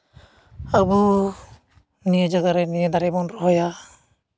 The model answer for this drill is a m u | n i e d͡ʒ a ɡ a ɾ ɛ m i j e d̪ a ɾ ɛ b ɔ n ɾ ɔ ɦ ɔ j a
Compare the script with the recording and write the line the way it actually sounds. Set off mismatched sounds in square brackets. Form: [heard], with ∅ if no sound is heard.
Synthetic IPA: a [b] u | n i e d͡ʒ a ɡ a ɾ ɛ [n] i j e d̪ a ɾ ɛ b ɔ n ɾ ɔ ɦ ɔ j a

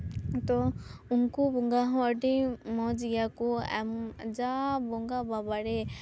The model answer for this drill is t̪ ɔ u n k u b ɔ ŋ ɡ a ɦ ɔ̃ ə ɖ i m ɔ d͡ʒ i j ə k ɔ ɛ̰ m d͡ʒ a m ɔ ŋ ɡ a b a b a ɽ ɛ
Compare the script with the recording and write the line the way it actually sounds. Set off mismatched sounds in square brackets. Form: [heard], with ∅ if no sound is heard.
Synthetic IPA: t̪ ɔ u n k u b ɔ ŋ ɡ a ɦ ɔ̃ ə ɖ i m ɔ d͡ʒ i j [a] k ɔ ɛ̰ m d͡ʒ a [b] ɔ ŋ ɡ a b a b a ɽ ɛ

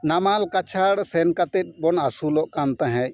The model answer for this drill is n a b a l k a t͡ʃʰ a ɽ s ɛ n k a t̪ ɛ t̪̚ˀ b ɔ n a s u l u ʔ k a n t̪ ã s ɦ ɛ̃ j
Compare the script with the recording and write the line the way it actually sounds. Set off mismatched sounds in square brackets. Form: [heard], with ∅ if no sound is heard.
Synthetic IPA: n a [m] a l k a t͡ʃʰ a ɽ s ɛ n k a t̪ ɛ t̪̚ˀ b ɔ n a s u l [ɔ] ʔ k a n t̪ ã [∅] ɦ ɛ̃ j

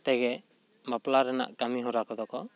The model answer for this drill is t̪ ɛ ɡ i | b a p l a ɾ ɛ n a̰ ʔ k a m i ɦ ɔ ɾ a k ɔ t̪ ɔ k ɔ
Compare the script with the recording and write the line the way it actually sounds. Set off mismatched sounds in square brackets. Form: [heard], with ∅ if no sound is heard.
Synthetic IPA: t̪ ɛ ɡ [ɛ] | [m] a p l a ɾ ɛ n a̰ ʔ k a m i ɦ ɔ ɾ a k ɔ [d̪] ɔ k ɔ

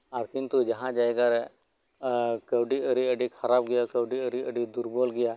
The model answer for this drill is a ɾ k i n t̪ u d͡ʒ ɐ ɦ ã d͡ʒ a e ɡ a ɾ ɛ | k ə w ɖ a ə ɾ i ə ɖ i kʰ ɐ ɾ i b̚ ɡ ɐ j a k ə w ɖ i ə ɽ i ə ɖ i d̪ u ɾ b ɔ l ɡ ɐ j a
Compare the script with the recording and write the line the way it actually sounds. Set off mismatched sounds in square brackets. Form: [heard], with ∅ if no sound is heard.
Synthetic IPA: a ɾ k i n t̪ u d͡ʒ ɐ ɦ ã d͡ʒ a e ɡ a ɾ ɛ | k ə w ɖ [i] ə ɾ i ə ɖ i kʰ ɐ ɾ [a] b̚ ɡ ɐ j a k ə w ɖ i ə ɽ i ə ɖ i d̪ u ɾ b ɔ l ɡ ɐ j a

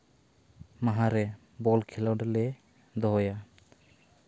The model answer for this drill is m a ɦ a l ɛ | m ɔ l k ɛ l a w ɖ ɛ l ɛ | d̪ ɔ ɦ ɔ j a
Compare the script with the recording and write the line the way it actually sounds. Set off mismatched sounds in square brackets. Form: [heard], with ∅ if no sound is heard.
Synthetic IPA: m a ɦ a [ɾ] ɛ | [b] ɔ l [kʰ] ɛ l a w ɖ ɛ l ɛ | d̪ ɔ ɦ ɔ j a

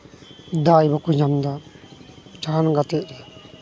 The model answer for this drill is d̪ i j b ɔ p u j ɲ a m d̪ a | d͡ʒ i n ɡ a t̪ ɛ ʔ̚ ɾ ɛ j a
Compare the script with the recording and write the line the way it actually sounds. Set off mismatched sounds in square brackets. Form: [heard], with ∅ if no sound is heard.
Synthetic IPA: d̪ [a] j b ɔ [k] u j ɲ a m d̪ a | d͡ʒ [a] n ɡ a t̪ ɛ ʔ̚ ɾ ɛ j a

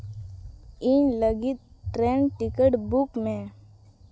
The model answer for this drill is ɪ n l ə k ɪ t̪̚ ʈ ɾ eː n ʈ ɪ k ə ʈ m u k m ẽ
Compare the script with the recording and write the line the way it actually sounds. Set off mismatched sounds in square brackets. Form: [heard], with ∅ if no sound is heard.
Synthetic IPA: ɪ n l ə [ɡ] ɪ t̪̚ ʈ ɾ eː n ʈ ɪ k ə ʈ [b] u k m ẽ

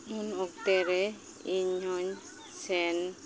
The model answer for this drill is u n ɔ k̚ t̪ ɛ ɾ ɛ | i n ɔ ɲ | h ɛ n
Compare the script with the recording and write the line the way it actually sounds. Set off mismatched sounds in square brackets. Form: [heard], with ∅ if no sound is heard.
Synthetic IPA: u n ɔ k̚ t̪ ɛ ɾ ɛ | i [ɲ] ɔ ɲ | [s] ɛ n

